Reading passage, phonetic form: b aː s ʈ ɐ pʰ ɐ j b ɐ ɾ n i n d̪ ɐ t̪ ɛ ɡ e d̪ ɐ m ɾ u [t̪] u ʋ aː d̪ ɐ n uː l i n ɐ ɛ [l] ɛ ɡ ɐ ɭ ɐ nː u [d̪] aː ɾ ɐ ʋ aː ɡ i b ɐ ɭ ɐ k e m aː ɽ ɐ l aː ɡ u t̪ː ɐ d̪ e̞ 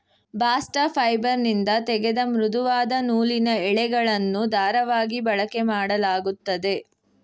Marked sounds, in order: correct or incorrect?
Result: incorrect, incorrect, correct

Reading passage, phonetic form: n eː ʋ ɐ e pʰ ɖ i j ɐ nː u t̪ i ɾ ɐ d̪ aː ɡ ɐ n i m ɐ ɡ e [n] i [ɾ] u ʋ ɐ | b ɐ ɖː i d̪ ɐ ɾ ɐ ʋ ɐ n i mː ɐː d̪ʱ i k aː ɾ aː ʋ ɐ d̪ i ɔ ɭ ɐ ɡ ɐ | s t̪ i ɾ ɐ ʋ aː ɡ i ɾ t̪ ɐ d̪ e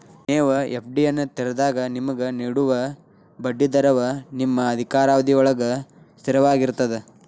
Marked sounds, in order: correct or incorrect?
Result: correct, incorrect

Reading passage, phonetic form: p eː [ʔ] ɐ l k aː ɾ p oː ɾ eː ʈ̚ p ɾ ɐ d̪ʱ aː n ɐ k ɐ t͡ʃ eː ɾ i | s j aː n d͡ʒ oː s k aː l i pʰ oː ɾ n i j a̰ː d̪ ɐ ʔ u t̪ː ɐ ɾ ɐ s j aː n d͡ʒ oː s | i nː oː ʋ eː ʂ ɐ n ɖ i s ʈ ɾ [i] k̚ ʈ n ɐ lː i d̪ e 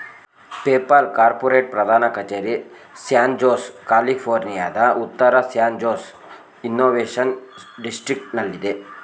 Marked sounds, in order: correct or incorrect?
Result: incorrect, correct

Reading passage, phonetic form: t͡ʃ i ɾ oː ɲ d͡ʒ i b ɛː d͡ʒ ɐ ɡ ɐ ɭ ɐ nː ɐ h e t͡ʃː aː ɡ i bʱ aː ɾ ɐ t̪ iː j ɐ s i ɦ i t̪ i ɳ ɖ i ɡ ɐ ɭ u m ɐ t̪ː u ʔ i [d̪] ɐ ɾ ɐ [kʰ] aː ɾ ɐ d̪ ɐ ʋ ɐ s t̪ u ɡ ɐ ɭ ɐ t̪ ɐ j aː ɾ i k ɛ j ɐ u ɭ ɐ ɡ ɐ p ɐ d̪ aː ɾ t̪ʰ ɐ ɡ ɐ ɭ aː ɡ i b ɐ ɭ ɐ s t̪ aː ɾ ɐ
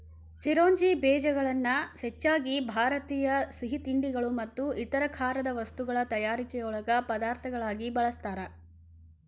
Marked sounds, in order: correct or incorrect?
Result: incorrect, correct

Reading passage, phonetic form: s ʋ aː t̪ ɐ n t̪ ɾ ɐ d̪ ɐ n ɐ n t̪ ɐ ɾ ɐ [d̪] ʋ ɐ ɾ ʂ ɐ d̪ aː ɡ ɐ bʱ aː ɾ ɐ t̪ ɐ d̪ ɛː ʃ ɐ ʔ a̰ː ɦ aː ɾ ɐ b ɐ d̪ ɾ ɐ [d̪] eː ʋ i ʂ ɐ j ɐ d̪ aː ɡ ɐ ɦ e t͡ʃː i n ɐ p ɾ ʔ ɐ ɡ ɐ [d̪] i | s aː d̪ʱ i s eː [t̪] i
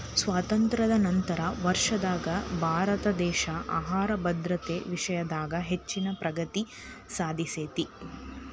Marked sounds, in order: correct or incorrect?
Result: incorrect, incorrect, incorrect, correct

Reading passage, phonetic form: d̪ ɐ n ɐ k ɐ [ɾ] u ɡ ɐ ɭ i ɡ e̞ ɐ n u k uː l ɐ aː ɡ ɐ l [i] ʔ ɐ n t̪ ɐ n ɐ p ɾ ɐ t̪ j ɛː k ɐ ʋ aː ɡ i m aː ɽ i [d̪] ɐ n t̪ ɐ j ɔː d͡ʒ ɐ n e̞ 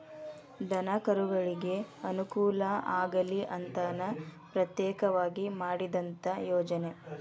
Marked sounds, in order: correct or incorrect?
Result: correct, correct, correct

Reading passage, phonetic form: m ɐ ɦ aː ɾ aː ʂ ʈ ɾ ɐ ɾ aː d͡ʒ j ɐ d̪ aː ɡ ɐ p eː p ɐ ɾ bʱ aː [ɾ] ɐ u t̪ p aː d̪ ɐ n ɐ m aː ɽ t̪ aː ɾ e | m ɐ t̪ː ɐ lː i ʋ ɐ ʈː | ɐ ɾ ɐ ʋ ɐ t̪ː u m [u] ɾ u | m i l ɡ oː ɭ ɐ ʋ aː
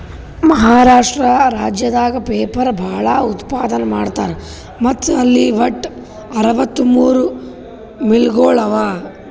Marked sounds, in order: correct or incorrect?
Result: incorrect, incorrect

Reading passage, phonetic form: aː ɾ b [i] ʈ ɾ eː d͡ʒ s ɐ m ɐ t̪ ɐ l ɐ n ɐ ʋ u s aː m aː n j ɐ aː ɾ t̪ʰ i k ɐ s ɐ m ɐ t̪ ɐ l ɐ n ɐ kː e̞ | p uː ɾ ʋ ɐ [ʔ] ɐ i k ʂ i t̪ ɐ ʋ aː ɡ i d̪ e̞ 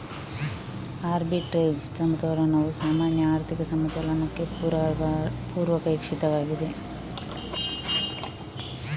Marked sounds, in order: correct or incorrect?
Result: correct, incorrect

